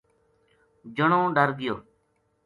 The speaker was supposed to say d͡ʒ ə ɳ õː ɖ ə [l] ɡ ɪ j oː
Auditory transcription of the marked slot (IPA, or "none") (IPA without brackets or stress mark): ɾ